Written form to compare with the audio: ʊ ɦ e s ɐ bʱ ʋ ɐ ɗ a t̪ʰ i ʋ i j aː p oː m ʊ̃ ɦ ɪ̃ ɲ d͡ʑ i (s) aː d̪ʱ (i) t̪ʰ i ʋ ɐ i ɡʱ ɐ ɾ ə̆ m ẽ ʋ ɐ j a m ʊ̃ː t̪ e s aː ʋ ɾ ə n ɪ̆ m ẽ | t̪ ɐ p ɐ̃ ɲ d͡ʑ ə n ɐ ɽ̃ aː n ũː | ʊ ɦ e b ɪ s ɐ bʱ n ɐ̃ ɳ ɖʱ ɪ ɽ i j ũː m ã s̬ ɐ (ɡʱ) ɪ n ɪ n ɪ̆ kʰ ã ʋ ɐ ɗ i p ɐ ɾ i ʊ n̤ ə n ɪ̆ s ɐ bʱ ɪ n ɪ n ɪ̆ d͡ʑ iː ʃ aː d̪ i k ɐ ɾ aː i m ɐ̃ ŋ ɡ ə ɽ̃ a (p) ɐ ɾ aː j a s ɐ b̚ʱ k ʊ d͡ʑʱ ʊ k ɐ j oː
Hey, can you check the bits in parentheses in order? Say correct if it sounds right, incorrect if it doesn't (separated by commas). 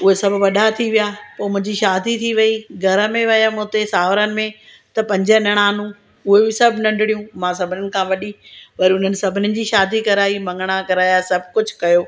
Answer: incorrect, correct, incorrect, incorrect